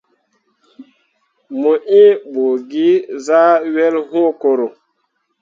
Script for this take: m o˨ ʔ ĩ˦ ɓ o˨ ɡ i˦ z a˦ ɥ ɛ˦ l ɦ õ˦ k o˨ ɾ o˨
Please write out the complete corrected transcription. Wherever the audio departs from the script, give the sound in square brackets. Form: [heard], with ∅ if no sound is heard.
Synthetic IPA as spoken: m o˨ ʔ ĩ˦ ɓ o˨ ɡ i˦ z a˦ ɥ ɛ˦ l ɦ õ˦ k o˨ ɾ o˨